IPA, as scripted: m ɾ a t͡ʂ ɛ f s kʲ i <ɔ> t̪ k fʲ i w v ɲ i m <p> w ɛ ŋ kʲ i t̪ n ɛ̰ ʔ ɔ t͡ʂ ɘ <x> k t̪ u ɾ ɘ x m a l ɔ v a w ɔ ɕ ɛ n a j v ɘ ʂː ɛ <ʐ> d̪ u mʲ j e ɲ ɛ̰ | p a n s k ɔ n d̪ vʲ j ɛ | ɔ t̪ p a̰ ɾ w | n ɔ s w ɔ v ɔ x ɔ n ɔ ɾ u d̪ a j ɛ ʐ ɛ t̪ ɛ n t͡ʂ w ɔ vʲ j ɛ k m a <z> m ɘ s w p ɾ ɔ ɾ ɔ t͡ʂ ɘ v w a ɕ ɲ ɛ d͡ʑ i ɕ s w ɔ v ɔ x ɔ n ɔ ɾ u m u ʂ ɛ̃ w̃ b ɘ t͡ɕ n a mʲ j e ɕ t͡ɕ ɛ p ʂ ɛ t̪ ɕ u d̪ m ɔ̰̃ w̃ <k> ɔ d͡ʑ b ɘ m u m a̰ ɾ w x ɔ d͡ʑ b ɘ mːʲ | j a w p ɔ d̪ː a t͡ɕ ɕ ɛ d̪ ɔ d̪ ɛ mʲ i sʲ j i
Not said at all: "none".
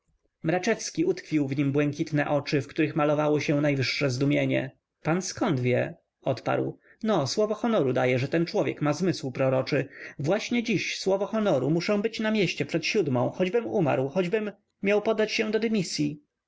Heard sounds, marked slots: u, b, f, z, z, x

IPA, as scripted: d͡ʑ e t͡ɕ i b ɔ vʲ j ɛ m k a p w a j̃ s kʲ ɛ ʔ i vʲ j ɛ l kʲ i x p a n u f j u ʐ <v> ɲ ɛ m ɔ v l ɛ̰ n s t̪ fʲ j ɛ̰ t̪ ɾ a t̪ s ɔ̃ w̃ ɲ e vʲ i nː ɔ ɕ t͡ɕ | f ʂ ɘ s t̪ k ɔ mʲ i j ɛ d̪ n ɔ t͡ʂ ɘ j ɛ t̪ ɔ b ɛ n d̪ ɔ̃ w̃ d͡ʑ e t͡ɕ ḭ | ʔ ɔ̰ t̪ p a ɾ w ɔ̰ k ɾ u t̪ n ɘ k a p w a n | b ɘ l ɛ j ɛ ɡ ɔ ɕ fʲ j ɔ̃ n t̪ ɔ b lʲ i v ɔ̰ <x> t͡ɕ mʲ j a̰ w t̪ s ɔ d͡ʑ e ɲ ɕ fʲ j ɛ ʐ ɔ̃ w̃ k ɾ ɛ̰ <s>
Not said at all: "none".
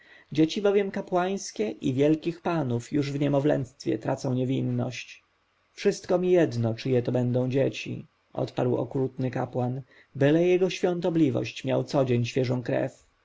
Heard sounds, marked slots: v, ɕ, f

